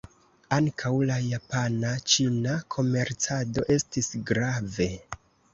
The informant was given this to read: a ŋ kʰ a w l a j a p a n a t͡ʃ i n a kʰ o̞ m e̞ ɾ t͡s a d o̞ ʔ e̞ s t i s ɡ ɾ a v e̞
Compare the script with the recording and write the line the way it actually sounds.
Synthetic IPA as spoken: a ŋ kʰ a w l a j a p a n a t͡ʃ i n a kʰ o̞ m e̞ ɾ t͡s a d o̞ ʔ e̞ s t i s ɡ ɾ a v e̞